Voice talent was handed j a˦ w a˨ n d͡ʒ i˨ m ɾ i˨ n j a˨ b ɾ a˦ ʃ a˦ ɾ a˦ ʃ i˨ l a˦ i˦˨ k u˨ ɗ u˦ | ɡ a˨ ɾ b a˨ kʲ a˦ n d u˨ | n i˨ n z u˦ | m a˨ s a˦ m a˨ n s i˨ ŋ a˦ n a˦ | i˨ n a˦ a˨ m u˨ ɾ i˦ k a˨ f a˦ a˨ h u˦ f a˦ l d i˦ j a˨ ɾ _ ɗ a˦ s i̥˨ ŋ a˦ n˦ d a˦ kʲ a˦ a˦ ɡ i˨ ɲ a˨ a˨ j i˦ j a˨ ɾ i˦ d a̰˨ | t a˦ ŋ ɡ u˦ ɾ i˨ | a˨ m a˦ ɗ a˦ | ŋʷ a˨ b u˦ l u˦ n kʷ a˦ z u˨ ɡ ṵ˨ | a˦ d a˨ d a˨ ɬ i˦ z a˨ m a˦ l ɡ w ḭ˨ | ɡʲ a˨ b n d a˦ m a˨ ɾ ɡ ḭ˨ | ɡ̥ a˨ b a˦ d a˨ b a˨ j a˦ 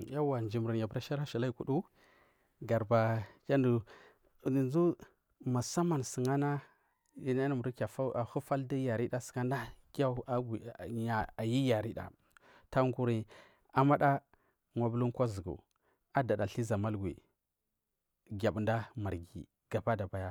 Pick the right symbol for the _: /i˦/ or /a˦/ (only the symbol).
i˦